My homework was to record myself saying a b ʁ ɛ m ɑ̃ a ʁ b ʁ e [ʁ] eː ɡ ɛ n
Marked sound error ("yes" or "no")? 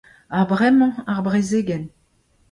yes